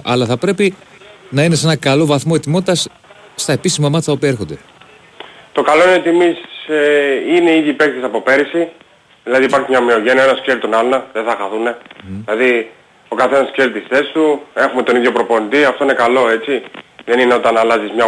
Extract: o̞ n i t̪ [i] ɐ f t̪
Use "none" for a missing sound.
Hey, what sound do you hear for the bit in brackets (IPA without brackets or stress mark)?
i